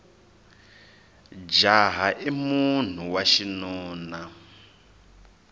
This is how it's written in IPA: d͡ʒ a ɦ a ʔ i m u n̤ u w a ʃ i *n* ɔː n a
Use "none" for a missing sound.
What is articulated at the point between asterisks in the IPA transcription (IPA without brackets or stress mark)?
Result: n